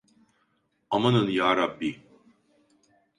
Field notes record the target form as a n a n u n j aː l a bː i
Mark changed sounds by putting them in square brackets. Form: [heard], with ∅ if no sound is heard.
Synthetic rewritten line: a [m] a n [ɯ] n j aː [ɾ] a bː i